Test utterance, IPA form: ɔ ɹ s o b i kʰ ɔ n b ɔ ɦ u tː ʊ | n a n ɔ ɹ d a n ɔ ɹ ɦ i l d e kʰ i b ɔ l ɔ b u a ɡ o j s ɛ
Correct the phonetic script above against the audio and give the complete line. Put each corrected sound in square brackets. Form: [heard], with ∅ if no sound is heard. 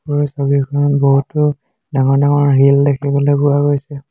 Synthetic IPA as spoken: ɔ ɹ s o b i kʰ ɔ n b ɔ ɦ u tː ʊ | [d] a [ŋ] ɔ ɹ d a [ŋ] ɔ ɹ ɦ i l d e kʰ i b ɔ l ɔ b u a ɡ o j s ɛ